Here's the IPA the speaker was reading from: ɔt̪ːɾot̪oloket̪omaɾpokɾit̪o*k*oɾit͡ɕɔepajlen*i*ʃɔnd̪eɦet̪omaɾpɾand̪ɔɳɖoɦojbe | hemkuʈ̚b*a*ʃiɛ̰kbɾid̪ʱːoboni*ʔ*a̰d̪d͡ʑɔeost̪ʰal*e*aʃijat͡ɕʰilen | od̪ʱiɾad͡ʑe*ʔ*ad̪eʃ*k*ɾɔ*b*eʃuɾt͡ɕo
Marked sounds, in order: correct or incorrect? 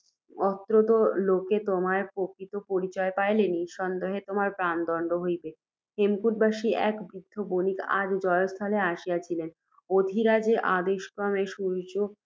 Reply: incorrect, correct, correct, incorrect, correct, correct, correct, incorrect

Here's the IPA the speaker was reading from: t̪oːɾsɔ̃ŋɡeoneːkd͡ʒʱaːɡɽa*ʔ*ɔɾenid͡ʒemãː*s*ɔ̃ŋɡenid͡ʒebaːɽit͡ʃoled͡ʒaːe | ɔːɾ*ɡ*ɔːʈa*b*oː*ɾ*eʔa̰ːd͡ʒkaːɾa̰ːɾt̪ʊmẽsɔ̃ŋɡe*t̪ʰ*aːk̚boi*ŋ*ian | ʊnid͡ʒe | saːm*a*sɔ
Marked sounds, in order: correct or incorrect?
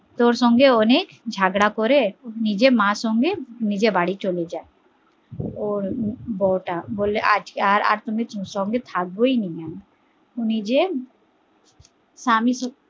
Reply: incorrect, correct, incorrect, correct, incorrect, correct, incorrect, incorrect

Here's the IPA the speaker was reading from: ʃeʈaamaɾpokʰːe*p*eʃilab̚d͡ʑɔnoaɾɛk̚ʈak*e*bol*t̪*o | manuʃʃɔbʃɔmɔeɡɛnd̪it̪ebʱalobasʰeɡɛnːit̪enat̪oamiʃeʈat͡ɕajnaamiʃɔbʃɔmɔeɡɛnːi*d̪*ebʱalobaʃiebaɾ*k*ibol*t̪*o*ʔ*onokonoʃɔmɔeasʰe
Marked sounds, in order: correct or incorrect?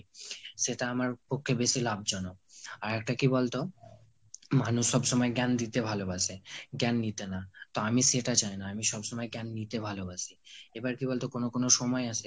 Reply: incorrect, incorrect, correct, incorrect, correct, correct, incorrect

